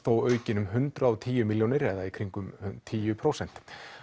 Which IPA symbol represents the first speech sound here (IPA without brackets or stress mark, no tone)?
θ